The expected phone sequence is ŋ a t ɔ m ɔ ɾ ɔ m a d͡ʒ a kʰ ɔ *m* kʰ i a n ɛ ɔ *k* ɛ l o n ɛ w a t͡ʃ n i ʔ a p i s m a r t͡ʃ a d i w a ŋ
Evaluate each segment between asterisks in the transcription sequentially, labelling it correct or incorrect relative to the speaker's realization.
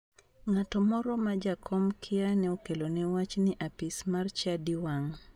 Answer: correct, correct

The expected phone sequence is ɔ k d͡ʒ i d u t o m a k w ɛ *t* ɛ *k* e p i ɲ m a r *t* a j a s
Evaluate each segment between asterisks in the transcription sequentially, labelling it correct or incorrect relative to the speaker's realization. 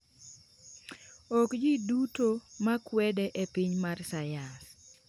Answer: incorrect: d, incorrect: ʔ, incorrect: s

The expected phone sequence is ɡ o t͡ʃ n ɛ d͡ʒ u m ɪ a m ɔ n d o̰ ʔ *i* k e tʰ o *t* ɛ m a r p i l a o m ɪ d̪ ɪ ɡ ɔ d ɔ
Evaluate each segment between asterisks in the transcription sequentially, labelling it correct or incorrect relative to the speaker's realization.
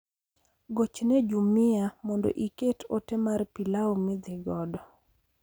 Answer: correct, correct

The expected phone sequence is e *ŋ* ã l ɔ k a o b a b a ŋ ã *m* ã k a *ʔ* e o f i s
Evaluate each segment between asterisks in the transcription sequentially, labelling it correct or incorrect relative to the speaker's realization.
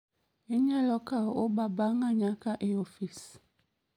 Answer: incorrect: ɲ, incorrect: ɲ, correct

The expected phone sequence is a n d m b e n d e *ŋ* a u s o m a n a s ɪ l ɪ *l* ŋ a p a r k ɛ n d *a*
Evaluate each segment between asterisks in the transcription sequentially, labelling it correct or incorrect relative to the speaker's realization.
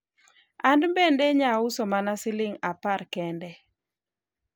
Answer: incorrect: ɲ, incorrect: none, incorrect: ɛ

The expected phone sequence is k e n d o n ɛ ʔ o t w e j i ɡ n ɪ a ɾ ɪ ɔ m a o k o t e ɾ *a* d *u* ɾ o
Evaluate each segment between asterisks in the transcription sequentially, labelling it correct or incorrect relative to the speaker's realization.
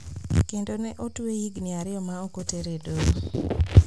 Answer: incorrect: e, incorrect: o

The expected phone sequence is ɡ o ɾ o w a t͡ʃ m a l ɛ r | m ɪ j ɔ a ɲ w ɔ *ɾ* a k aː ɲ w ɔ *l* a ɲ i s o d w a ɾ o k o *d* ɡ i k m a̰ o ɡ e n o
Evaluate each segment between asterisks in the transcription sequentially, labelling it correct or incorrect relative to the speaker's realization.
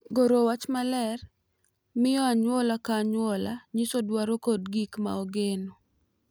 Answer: incorrect: l, correct, correct

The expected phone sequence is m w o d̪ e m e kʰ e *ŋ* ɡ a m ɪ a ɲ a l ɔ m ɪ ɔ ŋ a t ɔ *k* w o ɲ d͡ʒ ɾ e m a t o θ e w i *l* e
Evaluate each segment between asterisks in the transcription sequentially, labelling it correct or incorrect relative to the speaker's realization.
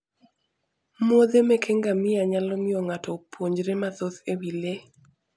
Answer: correct, incorrect: p, correct

